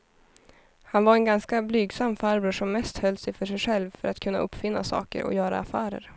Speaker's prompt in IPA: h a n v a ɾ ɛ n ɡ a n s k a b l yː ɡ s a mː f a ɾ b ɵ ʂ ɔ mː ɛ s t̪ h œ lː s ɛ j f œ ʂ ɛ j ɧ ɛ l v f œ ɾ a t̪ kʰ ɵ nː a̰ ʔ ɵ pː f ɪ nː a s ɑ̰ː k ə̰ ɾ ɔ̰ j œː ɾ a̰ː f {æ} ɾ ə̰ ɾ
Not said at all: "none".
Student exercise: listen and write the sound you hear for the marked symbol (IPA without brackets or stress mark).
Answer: æː